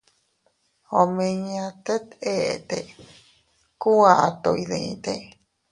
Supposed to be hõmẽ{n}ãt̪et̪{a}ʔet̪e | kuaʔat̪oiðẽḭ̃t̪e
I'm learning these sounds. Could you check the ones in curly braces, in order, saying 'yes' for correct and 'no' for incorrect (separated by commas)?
no, no